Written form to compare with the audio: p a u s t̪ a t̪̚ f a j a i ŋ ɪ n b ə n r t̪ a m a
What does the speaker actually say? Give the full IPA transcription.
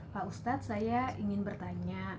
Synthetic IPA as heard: p a u s t̪ a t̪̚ s a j a i ŋ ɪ n b ə r t̪ a ɲ a